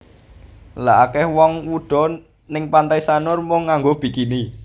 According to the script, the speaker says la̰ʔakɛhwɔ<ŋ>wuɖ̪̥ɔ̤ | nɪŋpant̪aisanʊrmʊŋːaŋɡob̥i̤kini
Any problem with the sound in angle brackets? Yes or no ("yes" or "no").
no